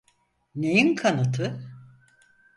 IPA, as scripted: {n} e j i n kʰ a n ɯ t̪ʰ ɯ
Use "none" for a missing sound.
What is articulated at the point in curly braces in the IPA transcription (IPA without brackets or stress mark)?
n